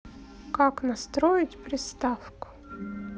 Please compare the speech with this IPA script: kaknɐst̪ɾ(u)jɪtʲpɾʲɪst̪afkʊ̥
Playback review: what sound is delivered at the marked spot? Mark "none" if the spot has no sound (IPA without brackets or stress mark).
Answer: o